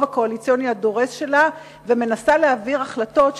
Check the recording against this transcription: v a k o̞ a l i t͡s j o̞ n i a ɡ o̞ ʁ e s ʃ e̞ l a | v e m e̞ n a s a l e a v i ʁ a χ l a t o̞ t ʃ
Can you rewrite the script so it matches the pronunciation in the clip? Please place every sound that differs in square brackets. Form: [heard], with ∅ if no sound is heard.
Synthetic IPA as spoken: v a k o̞ a l i t͡s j o̞ n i a [d] o̞ ʁ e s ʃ e̞ l a | v e m e̞ n a s a l e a v i ʁ a χ l a t o̞ t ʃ